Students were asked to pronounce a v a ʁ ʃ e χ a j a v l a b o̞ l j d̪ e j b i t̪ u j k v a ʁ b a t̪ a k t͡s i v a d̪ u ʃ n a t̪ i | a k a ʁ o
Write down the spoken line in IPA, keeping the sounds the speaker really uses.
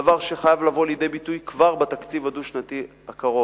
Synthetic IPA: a v a ʁ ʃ e χ a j a v l a v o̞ l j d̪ e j b i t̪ u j k v a ʁ b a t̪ a k t͡s i v a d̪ u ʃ n a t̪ i | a k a ʁ o